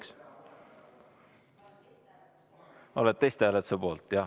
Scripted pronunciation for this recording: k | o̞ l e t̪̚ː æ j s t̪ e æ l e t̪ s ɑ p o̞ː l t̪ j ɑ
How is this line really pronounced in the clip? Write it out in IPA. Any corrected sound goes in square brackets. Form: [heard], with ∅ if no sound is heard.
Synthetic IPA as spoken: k | o̞ l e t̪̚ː [e] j s t̪ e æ l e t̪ s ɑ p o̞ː l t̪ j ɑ